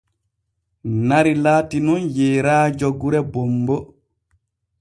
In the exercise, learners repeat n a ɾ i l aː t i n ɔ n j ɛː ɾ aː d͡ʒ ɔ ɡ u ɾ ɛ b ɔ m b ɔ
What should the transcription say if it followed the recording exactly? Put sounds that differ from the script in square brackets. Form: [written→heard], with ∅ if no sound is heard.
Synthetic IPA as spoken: n a ɾ i l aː t i n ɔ n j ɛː ɾ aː d͡ʒ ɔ ɡ u ɾ ɛ b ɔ m b ɔ

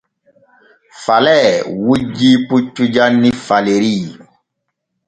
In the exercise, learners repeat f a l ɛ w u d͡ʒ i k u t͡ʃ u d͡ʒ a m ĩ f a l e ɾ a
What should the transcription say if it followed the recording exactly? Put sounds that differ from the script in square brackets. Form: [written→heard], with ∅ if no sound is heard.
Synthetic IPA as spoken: f a l ɛ w u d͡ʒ i [k→p] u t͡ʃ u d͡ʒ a [m→n] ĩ f a l e ɾ [a→i]

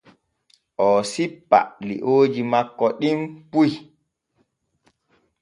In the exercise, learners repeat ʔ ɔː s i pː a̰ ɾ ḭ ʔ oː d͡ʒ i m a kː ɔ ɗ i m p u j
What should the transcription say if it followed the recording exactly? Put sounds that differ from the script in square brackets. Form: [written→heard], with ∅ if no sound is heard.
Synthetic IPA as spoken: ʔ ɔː s i pː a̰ [ɾ→l] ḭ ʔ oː d͡ʒ i m a kː ɔ ɗ i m p u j

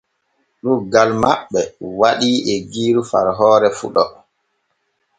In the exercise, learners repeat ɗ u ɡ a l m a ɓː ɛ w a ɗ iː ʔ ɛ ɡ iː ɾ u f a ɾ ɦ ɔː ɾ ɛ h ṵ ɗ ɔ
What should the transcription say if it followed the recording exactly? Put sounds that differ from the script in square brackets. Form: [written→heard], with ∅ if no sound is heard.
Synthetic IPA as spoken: ɗ u ɡ a l m a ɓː ɛ w a ɗ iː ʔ ɛ ɡ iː ɾ u f a ɾ ɦ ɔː ɾ ɛ [h→f] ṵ ɗ ɔ

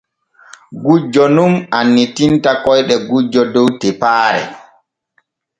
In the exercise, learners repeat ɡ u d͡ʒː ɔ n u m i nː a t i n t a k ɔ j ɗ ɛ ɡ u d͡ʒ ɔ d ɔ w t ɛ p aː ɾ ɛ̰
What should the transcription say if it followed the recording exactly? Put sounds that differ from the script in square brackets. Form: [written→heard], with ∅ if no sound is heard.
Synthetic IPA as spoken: ɡ u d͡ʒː ɔ n u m [i→a] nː [a→i] t i n t a k ɔ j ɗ ɛ ɡ u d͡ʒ ɔ d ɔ w t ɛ p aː ɾ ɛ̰

